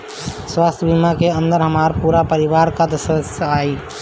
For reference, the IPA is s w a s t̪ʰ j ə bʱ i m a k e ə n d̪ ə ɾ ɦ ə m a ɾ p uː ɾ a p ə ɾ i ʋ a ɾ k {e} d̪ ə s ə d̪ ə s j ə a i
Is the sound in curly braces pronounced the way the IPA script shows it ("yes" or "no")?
no